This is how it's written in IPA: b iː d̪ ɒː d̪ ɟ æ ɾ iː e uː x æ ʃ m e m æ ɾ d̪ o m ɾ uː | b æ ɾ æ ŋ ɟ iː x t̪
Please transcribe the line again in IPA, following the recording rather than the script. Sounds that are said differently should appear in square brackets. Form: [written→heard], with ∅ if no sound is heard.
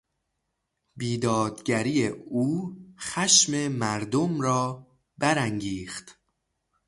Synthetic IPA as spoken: b iː d̪ ɒː d̪ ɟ æ ɾ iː e uː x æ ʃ m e m æ ɾ d̪ o m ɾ [uː→ɒː] | b æ ɾ æ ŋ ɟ iː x t̪